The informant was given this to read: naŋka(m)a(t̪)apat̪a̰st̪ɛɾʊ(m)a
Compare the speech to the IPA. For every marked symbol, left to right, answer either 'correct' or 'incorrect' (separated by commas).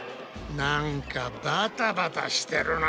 incorrect, correct, incorrect